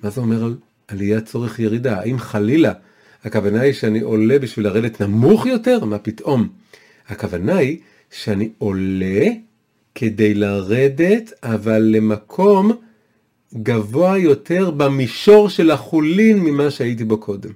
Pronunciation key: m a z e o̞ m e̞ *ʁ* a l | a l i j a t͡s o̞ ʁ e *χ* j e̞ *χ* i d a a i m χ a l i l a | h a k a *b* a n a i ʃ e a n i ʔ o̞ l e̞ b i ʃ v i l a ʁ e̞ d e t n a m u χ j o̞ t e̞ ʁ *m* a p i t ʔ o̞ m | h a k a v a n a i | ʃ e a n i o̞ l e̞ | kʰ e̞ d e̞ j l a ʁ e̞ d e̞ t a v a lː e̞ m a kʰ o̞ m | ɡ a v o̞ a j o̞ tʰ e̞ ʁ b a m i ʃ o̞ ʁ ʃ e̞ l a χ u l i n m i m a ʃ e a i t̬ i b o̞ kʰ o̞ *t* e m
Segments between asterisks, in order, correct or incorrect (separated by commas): correct, correct, incorrect, incorrect, correct, incorrect